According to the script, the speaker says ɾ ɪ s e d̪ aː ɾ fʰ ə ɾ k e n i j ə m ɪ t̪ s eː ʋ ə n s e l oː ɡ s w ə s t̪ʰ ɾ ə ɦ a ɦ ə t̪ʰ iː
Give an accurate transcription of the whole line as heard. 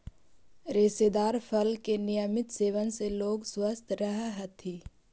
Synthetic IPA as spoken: ɾ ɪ s e d̪ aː ɾ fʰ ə l k e n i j ə m ɪ t̪ s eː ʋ ə n s e l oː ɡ s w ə s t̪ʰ ɾ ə ɦ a ɦ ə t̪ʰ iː